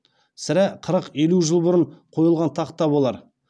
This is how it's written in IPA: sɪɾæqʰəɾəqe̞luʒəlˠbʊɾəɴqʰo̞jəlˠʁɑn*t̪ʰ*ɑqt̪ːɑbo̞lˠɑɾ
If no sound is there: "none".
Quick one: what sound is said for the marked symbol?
t̪ʰ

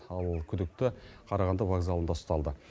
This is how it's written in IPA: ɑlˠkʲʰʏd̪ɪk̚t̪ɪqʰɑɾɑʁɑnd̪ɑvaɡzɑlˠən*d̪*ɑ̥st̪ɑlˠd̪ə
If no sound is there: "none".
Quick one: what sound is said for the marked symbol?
d̪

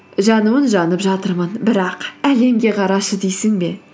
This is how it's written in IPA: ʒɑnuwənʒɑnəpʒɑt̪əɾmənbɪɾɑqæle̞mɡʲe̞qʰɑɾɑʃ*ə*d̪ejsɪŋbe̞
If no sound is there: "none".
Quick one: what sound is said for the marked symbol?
ə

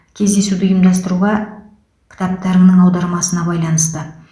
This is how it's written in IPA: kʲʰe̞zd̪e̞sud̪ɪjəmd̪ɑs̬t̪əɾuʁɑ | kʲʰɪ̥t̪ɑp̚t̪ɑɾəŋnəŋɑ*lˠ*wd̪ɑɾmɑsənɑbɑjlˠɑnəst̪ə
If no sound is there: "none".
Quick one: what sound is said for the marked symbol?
none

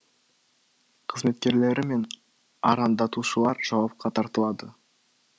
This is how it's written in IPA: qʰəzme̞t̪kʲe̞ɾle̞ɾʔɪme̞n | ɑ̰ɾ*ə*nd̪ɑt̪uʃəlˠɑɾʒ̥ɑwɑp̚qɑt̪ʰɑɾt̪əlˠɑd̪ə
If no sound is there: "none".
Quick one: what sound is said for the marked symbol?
ɑ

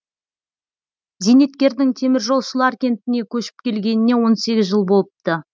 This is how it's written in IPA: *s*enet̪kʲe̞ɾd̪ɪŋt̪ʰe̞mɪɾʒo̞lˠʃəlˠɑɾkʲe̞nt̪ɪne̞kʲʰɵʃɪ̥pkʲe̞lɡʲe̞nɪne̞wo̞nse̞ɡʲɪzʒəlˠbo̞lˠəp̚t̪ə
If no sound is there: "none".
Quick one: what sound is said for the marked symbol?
z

